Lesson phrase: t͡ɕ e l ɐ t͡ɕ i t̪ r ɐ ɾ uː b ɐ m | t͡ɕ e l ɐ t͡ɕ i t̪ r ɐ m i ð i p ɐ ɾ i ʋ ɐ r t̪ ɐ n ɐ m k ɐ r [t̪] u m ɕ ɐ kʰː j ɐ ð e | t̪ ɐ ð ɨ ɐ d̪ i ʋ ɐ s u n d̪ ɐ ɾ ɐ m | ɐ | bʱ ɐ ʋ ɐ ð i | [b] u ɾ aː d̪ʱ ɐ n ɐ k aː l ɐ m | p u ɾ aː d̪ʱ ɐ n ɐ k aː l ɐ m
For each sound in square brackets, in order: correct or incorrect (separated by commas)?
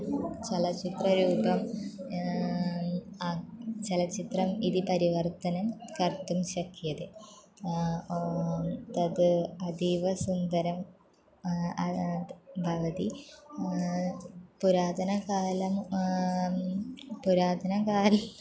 correct, incorrect